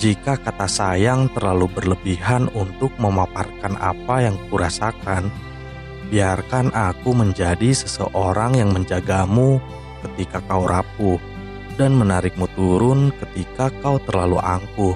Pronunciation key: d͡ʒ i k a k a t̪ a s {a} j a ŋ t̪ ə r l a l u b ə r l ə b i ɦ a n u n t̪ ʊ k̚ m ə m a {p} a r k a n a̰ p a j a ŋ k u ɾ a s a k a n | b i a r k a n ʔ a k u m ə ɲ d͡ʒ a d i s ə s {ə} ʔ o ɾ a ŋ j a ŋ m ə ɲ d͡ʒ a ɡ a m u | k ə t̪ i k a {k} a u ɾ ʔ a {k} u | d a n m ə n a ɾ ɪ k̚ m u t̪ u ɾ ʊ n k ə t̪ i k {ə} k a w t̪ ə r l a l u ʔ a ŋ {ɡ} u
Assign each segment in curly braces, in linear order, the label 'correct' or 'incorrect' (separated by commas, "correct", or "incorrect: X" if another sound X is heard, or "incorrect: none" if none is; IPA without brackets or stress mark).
correct, correct, correct, correct, incorrect: p, incorrect: a, incorrect: k